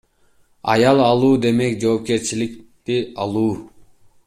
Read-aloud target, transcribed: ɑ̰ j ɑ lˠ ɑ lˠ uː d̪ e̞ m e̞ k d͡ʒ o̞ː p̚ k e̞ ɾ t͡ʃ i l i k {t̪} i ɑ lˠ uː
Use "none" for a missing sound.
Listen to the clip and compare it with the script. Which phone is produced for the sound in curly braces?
t̪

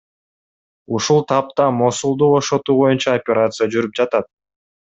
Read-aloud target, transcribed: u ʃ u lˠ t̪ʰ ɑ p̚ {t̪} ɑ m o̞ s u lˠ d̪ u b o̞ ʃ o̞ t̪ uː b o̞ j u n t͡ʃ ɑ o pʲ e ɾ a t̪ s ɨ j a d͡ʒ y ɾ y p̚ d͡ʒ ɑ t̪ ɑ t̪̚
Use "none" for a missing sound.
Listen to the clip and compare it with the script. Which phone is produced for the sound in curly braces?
t̪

